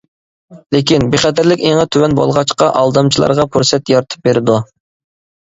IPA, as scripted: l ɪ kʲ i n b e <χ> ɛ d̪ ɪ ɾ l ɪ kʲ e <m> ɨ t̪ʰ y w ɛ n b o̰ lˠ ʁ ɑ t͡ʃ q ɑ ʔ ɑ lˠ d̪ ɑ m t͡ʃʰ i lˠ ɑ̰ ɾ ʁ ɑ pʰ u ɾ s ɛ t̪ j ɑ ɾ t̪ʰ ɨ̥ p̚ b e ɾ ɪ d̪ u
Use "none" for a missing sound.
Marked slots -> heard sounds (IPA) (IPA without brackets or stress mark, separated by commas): χ, ŋ